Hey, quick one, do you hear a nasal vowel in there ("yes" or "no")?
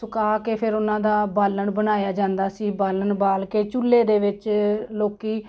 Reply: yes